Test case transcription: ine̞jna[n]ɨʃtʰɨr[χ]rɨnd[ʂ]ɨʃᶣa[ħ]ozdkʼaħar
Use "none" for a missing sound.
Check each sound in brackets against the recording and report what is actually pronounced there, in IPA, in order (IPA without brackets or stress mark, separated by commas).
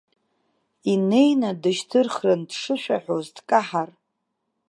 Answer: d, χ, ʂ, ħ